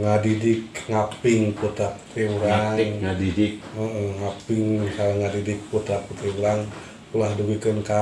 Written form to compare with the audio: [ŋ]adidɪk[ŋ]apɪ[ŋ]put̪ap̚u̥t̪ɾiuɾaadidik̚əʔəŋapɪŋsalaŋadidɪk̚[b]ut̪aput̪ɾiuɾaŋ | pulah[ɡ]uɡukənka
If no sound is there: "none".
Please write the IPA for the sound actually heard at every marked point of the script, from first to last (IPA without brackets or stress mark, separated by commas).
ŋ, ŋ, ŋ, p, d